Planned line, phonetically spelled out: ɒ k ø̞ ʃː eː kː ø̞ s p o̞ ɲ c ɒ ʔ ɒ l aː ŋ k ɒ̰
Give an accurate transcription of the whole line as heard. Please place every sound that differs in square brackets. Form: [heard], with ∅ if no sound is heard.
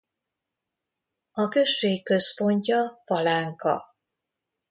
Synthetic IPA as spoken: ɒ k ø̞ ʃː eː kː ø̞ s p o̞ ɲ c ɒ [p] ɒ l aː ŋ k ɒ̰